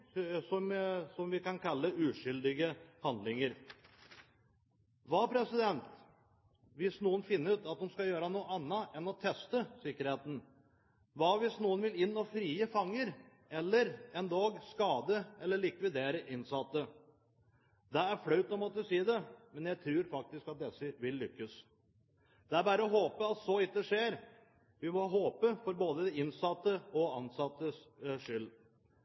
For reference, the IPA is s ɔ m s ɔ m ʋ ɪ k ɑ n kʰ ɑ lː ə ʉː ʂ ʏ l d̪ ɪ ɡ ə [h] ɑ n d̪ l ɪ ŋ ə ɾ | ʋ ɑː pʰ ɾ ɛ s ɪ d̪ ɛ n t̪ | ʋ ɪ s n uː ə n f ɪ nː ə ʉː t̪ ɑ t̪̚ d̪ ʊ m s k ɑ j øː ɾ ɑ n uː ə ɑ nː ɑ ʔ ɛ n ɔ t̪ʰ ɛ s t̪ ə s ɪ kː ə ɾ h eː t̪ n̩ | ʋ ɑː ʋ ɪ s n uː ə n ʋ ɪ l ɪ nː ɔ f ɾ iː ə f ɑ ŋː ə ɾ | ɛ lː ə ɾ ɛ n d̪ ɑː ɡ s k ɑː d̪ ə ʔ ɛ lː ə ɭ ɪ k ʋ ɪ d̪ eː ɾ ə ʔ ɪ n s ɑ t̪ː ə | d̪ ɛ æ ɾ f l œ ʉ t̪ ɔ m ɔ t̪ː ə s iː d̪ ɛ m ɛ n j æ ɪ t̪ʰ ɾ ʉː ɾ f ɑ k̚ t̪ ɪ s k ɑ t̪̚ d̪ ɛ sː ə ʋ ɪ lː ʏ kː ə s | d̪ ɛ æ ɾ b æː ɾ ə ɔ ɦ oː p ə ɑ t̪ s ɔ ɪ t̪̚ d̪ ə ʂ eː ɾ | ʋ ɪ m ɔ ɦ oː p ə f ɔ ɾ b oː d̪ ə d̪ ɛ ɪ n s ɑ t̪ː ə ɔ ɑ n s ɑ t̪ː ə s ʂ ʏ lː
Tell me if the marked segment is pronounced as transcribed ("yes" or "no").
yes